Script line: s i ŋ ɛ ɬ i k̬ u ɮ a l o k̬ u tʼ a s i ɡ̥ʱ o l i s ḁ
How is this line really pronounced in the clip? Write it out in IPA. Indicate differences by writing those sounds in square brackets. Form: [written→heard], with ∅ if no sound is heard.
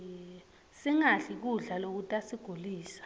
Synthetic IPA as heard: s i ŋ [ɛ→a] ɬ i k̬ u ɮ a l o k̬ u tʼ a s i ɡ̥ʱ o l [i→iː] s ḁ